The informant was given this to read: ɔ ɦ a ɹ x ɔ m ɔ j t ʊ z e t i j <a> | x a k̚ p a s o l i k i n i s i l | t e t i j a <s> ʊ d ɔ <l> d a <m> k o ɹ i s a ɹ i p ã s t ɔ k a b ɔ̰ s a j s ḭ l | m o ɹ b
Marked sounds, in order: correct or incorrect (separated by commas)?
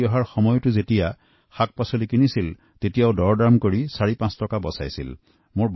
correct, incorrect, incorrect, correct